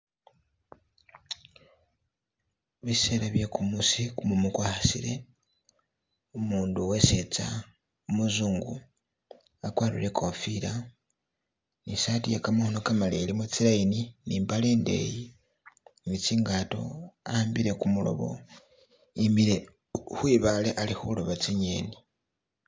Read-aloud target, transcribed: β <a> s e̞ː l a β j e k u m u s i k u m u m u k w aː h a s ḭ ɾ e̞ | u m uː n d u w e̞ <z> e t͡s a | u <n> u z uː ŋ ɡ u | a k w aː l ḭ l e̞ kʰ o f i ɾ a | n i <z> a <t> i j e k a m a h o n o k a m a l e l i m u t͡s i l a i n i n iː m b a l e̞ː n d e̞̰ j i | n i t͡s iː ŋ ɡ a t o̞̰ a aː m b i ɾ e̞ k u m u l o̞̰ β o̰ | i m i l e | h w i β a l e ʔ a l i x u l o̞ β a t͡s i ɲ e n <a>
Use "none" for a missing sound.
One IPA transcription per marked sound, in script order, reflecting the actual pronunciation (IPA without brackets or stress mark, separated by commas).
i, s, m, s, t, i